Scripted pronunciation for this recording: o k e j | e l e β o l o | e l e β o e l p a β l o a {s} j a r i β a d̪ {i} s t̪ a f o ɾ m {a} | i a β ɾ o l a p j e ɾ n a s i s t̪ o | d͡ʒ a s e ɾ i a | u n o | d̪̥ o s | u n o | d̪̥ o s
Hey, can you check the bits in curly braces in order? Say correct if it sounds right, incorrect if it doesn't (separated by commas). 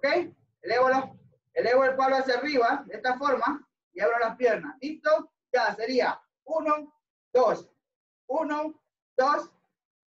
correct, incorrect, correct